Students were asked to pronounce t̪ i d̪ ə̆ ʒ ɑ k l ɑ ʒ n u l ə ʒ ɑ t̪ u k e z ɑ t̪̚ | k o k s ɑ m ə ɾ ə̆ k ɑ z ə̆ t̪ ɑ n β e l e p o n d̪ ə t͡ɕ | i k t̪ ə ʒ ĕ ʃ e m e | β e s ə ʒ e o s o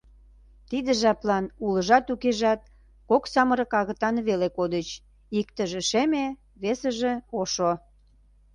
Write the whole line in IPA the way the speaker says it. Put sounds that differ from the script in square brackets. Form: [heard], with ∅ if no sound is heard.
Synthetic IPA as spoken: t̪ i d̪ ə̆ ʒ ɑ [p] l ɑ [∅] n u l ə ʒ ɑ t̪ u k e [ʒ] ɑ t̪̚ | k o k s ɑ m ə ɾ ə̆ k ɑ [ɣ] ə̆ t̪ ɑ n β e l e [k] o [∅] d̪ ə t͡ɕ | i k t̪ ə ʒ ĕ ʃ e m e | β e s ə ʒ e o [ʃ] o

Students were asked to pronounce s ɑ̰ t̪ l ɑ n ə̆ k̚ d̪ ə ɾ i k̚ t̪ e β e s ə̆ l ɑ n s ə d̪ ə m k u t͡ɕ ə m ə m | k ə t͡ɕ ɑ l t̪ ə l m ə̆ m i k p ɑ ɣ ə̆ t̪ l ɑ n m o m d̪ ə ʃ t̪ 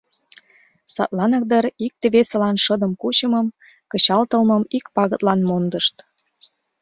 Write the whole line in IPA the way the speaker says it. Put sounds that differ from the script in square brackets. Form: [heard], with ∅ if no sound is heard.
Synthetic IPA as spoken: s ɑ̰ t̪ l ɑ n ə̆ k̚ d̪ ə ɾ i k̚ t̪ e β e s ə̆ l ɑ n [ʃ] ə d̪ ə m k u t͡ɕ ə m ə m | k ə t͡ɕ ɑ l t̪ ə l m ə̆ m i k p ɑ ɣ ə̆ t̪ l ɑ n m o [n] d̪ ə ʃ t̪

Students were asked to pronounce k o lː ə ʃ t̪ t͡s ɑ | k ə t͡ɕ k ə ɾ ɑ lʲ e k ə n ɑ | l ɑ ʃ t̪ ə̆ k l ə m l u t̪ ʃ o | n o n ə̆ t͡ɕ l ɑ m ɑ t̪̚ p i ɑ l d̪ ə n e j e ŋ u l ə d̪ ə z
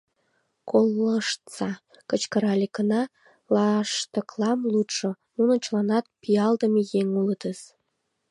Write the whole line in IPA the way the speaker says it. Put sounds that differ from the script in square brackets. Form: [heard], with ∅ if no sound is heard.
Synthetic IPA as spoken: k o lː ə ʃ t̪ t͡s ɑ | k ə t͡ɕ k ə ɾ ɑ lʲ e k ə n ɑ | l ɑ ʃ t̪ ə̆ k l [ɑ] m l u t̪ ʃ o | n [u] n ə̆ t͡ɕ l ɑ [n] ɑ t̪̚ p i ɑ l d̪ ə [m] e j e ŋ u l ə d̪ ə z

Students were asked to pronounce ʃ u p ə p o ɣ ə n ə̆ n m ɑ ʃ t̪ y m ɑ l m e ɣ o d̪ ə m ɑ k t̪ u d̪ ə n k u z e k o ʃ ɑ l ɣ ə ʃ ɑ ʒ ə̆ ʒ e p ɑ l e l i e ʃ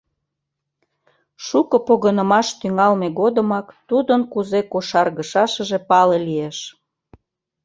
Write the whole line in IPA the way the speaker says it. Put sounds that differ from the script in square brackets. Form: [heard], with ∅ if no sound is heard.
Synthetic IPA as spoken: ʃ u [k] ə p o ɣ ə n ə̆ [∅] m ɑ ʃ t̪ y [ŋ] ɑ l m e ɣ o d̪ ə m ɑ k t̪ u d̪ ə n k u z e k o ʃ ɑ [r] ɣ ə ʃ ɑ [ʃ] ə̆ ʒ e p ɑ l e l i e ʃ

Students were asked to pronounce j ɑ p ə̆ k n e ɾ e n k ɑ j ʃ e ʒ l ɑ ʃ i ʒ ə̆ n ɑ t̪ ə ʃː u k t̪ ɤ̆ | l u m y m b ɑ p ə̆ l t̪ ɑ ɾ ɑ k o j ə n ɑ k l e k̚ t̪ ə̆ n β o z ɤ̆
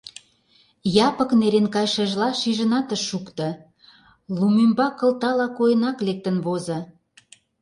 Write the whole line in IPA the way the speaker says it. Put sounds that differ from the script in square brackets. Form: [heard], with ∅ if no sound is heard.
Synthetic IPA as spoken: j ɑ p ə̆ k n e ɾ e n k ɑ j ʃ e ʒ l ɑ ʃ i ʒ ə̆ n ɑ t̪ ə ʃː u k t̪ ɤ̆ | l u m y m b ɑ [k] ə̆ l t̪ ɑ [l] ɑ k o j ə n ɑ k l e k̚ t̪ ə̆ n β o z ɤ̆

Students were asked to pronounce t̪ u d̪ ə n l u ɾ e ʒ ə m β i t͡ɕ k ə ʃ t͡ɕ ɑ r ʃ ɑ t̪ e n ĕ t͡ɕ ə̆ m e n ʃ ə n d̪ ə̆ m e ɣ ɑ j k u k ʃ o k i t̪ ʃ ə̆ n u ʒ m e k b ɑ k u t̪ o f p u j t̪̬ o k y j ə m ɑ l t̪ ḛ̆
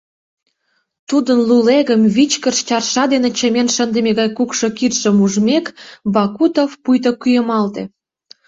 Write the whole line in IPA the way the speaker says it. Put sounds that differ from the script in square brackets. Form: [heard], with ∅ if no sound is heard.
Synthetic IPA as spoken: t̪ u d̪ ə n l u [l] e [ɣ] ə m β i t͡ɕ k ə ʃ t͡ɕ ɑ r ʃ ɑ [d̪] e n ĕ t͡ɕ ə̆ m e n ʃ ə n d̪ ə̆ m e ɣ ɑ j k u k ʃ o k i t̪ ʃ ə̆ [m] u ʒ m e k b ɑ k u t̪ o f p u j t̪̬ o k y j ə m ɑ l t̪ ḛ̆

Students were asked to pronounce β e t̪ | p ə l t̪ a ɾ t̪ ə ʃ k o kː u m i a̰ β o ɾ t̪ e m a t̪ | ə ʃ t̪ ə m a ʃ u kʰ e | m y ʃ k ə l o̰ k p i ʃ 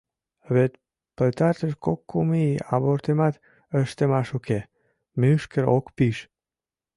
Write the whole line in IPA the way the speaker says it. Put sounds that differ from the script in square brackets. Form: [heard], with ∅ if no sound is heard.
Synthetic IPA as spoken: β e t̪ | p ə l t̪ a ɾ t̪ ə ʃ k o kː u m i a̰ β o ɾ t̪ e m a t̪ | ə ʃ t̪ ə m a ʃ u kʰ e | m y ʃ k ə [ɾ] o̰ k p i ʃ

